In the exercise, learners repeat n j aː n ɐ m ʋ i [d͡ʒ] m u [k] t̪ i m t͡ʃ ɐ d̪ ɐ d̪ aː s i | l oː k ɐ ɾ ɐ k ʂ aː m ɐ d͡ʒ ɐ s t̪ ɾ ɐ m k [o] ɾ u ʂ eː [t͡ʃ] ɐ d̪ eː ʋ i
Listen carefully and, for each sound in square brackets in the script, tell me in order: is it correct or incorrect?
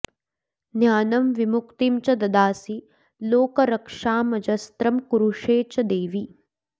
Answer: incorrect, correct, incorrect, correct

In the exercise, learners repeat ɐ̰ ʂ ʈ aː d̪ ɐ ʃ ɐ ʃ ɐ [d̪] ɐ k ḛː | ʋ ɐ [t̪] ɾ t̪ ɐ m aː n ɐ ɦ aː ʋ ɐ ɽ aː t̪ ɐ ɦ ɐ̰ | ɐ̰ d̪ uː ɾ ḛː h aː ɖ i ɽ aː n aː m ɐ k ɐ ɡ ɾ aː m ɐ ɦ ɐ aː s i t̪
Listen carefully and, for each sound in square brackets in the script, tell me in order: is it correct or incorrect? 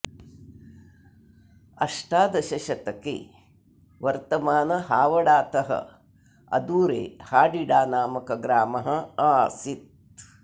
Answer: incorrect, incorrect

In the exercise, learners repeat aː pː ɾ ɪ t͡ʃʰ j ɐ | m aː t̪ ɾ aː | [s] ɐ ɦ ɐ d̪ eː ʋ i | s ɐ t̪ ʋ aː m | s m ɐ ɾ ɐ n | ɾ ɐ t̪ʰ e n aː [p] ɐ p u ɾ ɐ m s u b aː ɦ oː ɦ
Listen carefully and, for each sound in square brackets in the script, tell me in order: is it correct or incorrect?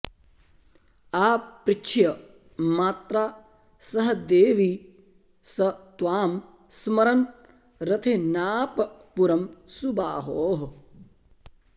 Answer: correct, correct

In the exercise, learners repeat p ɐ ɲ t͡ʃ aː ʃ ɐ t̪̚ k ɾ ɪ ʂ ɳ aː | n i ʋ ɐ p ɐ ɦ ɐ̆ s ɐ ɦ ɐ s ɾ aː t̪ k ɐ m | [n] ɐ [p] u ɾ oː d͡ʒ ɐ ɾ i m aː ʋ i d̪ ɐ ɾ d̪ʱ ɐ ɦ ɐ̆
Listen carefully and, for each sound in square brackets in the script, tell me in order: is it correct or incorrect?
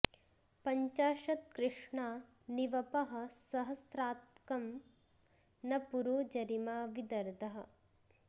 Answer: correct, correct

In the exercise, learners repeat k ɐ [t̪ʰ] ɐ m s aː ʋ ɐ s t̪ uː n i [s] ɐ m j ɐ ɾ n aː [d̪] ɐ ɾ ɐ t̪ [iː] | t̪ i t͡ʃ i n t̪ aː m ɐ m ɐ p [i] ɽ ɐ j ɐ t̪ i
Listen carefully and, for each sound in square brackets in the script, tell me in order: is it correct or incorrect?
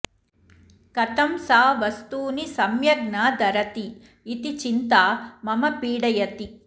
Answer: incorrect, correct, correct, correct, incorrect

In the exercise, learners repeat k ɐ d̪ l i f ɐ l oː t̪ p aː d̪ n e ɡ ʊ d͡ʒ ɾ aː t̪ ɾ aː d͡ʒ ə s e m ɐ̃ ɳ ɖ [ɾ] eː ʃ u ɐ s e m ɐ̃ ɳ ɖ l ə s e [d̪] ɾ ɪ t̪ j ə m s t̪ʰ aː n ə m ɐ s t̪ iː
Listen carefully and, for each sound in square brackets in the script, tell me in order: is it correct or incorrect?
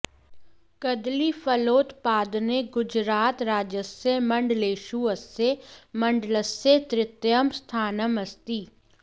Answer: incorrect, incorrect

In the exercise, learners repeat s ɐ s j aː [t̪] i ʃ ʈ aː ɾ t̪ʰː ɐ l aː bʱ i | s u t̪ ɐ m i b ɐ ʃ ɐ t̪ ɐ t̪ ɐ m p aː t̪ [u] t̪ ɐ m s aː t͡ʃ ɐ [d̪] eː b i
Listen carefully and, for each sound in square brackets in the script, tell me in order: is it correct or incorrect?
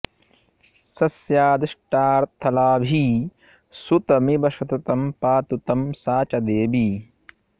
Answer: incorrect, correct, correct

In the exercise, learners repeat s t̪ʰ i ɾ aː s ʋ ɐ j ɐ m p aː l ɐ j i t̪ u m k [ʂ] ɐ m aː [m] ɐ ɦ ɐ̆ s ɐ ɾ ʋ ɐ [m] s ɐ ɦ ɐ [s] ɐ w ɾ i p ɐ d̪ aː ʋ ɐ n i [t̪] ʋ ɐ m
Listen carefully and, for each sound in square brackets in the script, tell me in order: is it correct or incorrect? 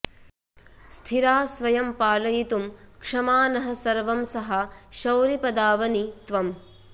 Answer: correct, incorrect, correct, incorrect, correct

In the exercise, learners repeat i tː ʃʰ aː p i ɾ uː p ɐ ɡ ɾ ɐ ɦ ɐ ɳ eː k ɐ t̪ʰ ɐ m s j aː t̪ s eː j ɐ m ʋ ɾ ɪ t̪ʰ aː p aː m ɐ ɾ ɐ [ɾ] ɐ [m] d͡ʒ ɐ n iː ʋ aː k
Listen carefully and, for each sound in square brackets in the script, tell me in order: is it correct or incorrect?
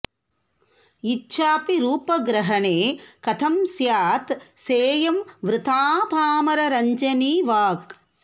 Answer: correct, incorrect

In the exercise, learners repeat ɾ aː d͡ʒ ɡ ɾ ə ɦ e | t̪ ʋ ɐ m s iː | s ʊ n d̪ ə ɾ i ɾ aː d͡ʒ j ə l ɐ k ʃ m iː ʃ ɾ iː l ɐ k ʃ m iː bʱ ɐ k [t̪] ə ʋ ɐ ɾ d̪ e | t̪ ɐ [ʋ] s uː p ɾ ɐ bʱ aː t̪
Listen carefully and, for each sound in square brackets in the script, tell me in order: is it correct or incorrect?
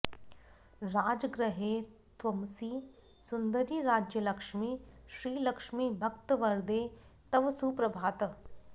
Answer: correct, correct

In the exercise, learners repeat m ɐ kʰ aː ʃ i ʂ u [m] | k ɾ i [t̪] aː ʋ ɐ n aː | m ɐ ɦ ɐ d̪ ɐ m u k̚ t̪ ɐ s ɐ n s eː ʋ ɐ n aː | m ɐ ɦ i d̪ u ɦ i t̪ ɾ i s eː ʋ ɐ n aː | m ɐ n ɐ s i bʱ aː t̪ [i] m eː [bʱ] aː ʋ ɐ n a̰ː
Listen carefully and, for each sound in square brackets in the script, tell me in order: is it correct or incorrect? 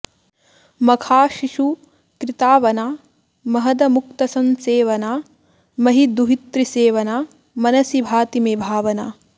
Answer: incorrect, correct, correct, correct

